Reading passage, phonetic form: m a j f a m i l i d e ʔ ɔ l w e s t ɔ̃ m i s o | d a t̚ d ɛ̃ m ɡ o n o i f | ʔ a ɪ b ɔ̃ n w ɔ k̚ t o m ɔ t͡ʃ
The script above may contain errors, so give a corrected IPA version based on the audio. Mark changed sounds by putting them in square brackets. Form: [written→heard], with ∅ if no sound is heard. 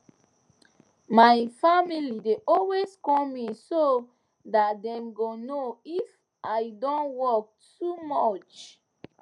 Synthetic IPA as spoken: m a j f a m i l i d e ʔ ɔ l w e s [t→k] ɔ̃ m i s o | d a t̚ d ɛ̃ m ɡ o n o i f | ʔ a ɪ [b→d] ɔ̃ n w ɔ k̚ t [o→u] m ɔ t͡ʃ